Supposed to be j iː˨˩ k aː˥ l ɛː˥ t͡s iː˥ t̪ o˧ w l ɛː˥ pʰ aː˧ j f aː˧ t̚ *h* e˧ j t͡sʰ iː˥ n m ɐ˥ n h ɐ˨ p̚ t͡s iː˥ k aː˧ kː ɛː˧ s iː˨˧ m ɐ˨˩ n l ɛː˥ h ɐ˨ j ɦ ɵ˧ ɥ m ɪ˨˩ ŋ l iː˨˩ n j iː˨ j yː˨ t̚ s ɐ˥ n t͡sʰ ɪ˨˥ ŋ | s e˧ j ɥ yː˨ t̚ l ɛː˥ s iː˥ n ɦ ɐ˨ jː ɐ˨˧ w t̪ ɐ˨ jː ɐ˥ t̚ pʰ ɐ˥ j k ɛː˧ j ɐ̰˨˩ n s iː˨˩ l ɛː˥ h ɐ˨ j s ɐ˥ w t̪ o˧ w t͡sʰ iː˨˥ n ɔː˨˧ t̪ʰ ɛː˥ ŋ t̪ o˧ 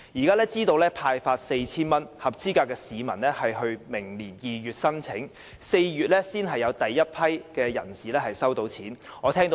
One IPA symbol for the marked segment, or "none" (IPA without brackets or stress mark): s